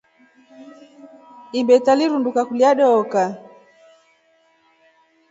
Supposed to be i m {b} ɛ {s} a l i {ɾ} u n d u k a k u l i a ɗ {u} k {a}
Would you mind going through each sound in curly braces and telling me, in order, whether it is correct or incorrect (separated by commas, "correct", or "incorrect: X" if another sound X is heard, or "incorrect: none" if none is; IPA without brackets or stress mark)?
correct, incorrect: t, correct, incorrect: ɔ, correct